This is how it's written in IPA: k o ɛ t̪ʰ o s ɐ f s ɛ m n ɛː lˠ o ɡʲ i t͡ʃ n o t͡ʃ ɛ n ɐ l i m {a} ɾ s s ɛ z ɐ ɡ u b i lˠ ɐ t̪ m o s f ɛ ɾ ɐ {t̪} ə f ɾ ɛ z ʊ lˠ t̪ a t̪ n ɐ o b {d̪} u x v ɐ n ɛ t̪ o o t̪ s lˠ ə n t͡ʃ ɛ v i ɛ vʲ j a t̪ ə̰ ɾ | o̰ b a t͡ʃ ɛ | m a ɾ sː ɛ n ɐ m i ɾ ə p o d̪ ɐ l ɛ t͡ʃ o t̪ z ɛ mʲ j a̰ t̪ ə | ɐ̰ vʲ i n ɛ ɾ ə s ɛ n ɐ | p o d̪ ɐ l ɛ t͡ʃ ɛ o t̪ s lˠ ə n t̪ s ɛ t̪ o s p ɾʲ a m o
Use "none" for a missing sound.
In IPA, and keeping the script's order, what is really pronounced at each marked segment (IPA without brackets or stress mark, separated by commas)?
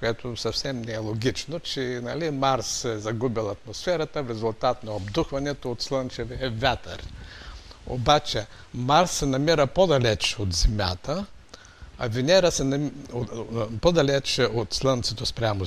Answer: a, t̪, d̪